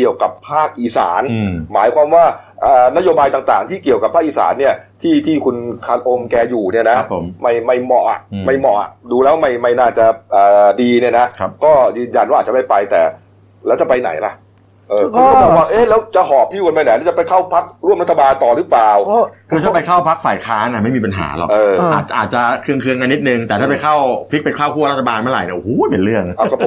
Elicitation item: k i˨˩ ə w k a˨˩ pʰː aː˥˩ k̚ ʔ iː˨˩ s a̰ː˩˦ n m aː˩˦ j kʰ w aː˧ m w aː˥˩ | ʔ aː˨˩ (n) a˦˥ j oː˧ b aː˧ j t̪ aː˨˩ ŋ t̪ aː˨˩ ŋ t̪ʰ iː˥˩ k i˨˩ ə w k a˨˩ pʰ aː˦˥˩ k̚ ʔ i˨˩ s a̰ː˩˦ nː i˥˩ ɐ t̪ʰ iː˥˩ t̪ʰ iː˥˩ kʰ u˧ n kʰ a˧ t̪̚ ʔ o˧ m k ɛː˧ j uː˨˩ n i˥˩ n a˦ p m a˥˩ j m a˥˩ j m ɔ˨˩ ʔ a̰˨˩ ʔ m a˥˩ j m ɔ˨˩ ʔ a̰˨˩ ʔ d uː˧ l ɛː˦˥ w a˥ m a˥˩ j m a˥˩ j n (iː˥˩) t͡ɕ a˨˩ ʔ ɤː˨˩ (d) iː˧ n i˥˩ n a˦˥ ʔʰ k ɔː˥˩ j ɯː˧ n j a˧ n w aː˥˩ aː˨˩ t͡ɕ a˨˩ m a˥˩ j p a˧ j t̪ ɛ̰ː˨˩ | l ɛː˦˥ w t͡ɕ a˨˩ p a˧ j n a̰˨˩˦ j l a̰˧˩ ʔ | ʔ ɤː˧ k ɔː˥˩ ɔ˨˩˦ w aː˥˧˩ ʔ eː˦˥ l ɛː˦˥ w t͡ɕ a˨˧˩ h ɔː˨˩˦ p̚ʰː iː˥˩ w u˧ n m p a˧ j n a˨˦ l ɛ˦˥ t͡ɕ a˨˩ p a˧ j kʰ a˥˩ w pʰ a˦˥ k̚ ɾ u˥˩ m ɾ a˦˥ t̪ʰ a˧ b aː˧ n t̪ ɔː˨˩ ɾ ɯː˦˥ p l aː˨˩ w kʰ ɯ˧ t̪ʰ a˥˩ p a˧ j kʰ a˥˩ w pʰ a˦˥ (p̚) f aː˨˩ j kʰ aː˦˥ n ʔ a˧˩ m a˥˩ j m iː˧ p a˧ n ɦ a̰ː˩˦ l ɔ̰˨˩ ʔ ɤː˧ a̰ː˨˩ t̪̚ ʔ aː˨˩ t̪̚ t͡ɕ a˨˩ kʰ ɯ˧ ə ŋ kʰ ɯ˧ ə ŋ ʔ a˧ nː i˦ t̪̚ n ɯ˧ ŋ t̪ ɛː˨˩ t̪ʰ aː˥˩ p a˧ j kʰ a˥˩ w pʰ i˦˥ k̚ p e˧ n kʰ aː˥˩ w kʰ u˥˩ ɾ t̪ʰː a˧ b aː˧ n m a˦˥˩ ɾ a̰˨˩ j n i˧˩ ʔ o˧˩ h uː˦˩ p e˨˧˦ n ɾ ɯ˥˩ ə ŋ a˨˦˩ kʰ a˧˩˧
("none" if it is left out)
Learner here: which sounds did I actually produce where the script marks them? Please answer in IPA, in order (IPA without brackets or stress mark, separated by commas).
n, aː˥˩, d, k̚